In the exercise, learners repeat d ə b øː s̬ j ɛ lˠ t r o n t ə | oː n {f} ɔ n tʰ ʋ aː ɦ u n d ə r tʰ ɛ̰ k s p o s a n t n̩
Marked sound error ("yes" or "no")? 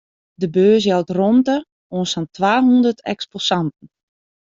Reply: yes